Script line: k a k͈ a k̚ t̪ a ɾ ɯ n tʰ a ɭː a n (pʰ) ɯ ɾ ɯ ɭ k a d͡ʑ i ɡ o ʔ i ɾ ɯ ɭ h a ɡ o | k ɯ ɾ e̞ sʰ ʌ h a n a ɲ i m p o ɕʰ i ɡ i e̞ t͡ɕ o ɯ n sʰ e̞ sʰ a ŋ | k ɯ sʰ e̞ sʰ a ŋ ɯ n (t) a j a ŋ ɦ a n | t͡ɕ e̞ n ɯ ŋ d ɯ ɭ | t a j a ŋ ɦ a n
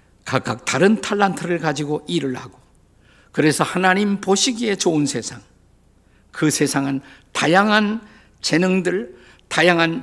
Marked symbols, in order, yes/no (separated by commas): no, yes